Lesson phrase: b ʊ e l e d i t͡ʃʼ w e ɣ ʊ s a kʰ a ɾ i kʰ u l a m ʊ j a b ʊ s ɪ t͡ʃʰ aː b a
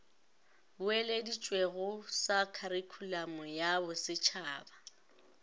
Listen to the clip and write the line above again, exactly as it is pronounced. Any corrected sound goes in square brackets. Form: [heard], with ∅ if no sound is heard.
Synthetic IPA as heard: b ʊ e l e d i t͡ʃʼ w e ɣ ʊ s a kʰ a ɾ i kʰ u l a m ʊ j a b ʊ s ɪ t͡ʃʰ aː b a